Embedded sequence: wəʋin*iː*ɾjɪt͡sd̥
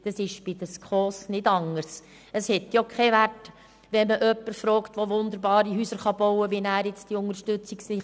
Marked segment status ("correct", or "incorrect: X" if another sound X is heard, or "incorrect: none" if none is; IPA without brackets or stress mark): incorrect: æː